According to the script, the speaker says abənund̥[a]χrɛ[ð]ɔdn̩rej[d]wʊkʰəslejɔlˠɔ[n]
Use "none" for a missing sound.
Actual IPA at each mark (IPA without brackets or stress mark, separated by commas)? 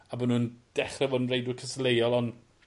ɛ, v, d, n